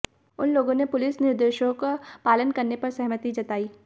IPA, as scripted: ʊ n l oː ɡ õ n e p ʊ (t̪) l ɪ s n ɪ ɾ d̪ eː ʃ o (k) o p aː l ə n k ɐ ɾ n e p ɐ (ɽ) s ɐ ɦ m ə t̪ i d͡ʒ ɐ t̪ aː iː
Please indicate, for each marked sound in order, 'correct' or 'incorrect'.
incorrect: none, correct, incorrect: ɾ

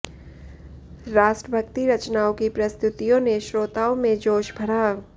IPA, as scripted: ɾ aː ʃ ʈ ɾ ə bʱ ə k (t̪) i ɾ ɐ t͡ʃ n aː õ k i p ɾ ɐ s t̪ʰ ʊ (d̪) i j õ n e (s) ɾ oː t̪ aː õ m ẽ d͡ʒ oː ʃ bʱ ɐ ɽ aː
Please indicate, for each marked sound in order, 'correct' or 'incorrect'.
correct, incorrect: t̪, incorrect: ʃ

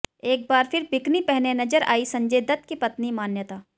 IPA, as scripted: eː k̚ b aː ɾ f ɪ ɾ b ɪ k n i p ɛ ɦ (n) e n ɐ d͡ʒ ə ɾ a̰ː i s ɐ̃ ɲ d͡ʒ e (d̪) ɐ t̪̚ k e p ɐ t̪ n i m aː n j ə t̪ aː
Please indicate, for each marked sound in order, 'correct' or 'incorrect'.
correct, correct

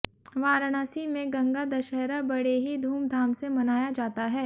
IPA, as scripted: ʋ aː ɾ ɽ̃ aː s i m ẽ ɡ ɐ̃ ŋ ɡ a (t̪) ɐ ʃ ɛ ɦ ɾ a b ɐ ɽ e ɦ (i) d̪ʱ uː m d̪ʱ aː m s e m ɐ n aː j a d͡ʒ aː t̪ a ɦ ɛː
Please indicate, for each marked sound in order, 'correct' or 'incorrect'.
incorrect: d̪, correct

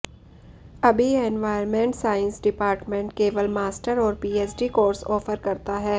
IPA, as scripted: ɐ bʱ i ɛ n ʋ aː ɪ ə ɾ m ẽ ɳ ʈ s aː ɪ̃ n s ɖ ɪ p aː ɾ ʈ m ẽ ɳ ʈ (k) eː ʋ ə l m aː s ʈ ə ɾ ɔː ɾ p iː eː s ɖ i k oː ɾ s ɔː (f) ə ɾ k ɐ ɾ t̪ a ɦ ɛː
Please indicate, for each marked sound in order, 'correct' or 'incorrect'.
correct, correct

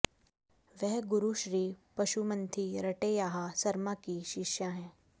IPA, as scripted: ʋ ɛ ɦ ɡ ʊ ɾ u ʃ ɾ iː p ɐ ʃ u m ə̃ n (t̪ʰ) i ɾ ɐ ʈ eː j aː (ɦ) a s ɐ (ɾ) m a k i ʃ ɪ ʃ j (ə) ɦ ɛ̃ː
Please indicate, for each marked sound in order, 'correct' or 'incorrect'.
correct, correct, correct, incorrect: a

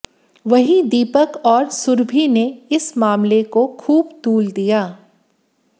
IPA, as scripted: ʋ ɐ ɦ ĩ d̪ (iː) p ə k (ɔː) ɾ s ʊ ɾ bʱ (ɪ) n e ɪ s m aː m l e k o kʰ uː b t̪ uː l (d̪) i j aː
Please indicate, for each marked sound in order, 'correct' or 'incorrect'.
correct, correct, incorrect: i, correct

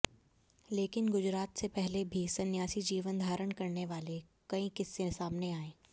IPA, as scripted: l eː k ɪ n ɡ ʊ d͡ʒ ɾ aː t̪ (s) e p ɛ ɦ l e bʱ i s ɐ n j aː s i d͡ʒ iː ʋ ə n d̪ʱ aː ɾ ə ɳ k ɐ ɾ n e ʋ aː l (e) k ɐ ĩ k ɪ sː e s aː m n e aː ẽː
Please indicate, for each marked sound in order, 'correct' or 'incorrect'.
correct, correct

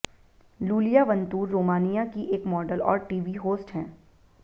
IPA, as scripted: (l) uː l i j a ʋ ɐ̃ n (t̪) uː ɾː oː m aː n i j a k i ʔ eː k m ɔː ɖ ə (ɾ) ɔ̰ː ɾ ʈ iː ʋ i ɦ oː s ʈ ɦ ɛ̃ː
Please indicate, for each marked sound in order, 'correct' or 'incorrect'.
correct, correct, incorrect: l

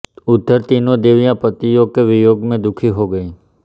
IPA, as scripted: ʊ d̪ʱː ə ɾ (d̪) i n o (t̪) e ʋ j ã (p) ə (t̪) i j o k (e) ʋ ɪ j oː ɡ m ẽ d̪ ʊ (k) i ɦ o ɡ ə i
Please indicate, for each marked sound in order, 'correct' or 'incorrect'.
incorrect: t̪, incorrect: d̪, correct, correct, correct, incorrect: kʰ

